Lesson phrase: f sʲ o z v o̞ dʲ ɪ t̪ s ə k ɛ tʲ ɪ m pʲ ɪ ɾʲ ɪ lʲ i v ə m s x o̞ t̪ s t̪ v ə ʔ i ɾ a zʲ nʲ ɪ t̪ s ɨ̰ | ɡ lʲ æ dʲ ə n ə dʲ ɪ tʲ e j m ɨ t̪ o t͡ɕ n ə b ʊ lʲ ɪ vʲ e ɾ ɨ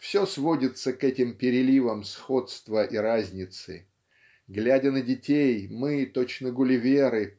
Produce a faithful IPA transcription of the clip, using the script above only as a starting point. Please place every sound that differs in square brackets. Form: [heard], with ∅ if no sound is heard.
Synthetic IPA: f sʲ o [s] v o̞ dʲ ɪ t̪ s ə k ɛ tʲ ɪ m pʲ ɪ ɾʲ ɪ lʲ i v ə m s x o̞ t̪ s t̪ v ə ʔ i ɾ a zʲ nʲ ɪ t̪ s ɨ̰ | ɡ lʲ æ dʲ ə n ə dʲ ɪ tʲ e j m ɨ t̪ o t͡ɕ n ə [ɡ] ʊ lʲ ɪ vʲ e ɾ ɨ